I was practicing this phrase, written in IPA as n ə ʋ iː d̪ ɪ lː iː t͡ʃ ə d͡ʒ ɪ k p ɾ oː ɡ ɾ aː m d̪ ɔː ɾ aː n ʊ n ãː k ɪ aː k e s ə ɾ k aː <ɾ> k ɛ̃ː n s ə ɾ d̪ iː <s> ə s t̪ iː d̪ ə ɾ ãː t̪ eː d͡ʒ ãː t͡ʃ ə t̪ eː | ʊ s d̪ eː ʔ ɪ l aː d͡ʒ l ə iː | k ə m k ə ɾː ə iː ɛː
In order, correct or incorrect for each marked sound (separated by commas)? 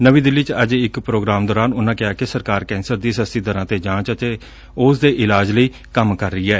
correct, correct